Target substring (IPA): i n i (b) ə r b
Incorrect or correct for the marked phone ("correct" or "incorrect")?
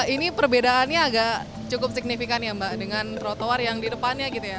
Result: incorrect